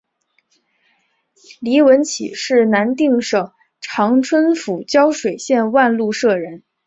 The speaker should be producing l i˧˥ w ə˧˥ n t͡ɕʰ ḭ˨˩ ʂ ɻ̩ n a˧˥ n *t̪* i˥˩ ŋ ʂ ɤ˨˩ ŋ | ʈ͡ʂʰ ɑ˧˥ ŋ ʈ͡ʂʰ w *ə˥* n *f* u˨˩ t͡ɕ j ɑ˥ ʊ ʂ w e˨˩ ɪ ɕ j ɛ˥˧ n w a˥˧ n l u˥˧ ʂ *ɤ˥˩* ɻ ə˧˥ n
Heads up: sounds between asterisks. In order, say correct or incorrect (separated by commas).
correct, correct, correct, correct